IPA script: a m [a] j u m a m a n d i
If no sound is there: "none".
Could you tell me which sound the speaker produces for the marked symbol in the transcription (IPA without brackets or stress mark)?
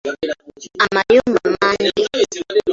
a